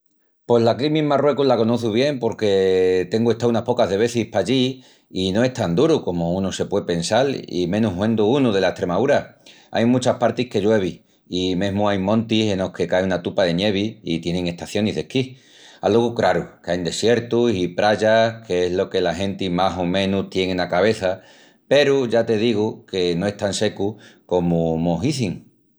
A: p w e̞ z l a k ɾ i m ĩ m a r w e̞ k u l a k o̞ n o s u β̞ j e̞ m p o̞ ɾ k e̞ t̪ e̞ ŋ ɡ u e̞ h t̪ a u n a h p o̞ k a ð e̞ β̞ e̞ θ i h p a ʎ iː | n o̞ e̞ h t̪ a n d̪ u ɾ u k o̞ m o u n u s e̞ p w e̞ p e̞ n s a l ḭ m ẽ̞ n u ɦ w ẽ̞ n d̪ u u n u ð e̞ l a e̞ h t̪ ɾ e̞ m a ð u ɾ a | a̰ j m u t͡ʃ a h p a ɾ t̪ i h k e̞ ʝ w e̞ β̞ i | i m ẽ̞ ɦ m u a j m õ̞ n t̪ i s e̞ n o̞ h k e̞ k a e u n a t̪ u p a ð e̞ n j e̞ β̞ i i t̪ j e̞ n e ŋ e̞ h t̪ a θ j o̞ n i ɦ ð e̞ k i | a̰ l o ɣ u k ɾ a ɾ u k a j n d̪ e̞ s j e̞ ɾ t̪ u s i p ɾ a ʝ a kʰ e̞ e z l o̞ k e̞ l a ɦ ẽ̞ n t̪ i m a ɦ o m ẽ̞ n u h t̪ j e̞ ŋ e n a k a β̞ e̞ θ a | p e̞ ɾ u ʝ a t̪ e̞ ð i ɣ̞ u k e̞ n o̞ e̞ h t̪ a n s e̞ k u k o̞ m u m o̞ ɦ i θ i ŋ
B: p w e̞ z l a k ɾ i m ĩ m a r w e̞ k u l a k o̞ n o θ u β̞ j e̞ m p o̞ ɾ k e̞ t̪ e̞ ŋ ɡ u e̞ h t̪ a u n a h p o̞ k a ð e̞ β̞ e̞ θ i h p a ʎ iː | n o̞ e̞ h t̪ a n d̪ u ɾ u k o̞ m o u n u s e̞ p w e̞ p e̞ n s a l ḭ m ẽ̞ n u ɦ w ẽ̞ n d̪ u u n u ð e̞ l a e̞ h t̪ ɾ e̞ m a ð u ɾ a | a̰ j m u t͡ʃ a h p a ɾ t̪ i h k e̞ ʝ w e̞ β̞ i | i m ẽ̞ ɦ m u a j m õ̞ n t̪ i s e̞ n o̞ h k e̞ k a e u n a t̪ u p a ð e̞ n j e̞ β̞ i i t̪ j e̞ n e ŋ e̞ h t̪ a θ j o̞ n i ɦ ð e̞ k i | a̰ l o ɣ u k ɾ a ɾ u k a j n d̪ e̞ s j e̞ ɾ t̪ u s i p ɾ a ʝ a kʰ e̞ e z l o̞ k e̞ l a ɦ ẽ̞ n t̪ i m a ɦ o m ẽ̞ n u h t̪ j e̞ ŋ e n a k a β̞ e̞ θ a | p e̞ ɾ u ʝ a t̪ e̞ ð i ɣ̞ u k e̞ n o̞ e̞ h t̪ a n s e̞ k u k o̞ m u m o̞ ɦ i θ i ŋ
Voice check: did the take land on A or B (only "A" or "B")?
B